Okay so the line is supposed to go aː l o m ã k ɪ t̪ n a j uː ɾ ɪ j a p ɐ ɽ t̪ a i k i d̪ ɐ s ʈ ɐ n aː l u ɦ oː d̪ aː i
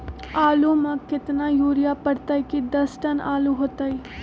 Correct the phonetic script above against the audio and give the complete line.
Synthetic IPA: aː l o m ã k ɪ t̪ n a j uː ɾ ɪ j a p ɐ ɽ t̪ a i k i d̪ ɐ s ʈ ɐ n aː l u ɦ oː t̪ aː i

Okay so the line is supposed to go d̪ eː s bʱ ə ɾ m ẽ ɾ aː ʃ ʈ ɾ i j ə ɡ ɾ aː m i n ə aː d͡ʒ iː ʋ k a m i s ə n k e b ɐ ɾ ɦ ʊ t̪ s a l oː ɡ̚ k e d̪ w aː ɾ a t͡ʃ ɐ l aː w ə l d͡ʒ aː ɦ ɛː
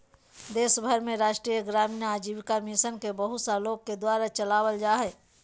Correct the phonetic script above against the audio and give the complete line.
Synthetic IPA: d̪ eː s bʱ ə ɾ m ẽ ɾ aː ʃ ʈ ɾ i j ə ɡ ɾ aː m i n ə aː d͡ʒ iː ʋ k a m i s ə n k e b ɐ ɦ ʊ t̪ s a l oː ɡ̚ k e d̪ w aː ɾ a t͡ʃ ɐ l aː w ə l d͡ʒ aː ɦ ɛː

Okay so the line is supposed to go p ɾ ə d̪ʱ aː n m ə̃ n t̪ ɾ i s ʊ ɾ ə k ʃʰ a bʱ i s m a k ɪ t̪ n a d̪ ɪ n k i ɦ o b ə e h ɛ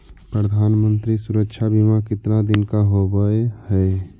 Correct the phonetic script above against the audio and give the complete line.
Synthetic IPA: p ɾ ə d̪ʱ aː n m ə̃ n t̪ ɾ i s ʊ ɾ ə k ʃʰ a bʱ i m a k ɪ t̪ n a d̪ ɪ n k a ɦ o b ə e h ɛ

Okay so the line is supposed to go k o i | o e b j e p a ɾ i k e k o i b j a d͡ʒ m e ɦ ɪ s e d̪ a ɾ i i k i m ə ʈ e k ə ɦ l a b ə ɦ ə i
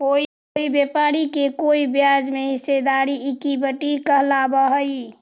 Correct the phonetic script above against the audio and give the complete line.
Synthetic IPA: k o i | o i b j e p a ɾ i k e k o i b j a d͡ʒ m e ɦ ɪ s e d̪ a ɾ i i k i b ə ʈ i k ə ɦ l a b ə ɦ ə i

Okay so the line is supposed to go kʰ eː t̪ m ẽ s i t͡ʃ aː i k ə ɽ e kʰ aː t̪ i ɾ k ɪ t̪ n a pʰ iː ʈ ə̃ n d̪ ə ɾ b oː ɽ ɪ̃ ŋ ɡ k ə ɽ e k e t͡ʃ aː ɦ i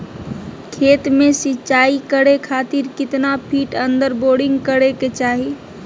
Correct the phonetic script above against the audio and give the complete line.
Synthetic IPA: kʰ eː t̪ m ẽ s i t͡ʃ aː i k ə ɽ e kʰ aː t̪ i ɾ k ɪ t̪ n a pʰ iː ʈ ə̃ n d̪ ə ɾ b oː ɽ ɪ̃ ŋ ɡ k ə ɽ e k e t͡ʃ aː ɦ i

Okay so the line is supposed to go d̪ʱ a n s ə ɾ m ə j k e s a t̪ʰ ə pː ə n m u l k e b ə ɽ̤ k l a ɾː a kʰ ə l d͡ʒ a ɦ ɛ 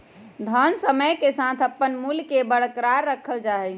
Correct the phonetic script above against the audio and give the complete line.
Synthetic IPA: d̪ʱ ə n s ə m ə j k e s a t̪ʰ ə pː ə n m u l k e b ə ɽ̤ k ɾ a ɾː ə kʰ ə l d͡ʒ a ɦ ɛ

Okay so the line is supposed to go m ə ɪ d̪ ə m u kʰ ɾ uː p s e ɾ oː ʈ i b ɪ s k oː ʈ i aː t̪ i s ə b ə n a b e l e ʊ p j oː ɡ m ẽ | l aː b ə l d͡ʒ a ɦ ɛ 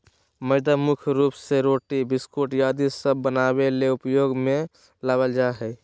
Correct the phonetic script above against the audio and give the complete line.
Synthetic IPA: m ə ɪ d̪ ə m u kʰ ɾ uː p s e ɾ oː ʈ i b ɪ s k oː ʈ j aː d̪ i s ə bː ə n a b e l e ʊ p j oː ɡ m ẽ | l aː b ə l d͡ʒ a ɦ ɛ

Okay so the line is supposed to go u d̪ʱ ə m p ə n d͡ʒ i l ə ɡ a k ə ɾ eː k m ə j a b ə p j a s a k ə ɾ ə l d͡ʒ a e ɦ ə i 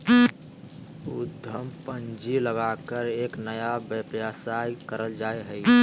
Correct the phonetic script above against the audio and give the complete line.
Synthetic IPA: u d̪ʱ ə m p ə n d͡ʒ i l ə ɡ a k ə ɾ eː k n ə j a b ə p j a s a k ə ɾ ə l d͡ʒ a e ɦ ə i

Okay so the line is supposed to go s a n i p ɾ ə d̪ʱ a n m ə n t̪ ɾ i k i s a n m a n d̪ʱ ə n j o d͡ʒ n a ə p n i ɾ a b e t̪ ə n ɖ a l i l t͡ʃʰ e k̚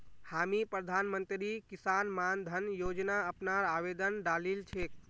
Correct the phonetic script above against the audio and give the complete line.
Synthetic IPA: h a m i p ɾ ə d̪ʱ a n m ə n t̪ ɾ i k i s a n m a n d̪ʱ ə n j o d͡ʒ n a ə p n a ɾ a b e d̪ ə n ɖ a l i l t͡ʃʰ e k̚

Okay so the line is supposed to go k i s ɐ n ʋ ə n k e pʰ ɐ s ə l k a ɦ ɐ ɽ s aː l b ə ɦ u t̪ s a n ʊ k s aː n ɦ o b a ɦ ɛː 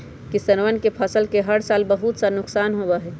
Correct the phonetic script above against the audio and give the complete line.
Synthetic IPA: k i s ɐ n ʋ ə n k e pʰ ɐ s ə l k e ɦ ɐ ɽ s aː l b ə ɦ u t̪ s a n ʊ k s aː n ɦ o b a ɦ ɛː

